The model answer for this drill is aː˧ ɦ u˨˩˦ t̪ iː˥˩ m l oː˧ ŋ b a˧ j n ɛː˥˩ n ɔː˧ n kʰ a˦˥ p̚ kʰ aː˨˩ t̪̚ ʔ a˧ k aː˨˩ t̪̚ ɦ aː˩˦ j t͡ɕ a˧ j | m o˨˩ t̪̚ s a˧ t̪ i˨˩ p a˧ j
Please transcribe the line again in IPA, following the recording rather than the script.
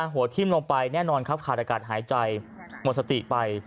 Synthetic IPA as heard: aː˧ ɦ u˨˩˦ t̪ʰ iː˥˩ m l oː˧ ŋ p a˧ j n ɛː˥˩ n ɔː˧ n kʰ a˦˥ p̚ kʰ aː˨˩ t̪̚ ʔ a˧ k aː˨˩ t̪̚ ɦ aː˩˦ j t͡ɕ a˧ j | m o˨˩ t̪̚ s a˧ t̪ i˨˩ p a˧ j